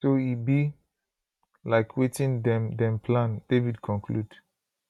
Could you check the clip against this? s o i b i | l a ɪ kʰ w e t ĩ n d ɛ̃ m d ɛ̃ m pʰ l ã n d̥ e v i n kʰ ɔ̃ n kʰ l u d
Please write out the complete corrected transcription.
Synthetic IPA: s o i b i | l a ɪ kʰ w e t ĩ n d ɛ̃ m d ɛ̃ m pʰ l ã n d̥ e v i d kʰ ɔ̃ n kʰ l u d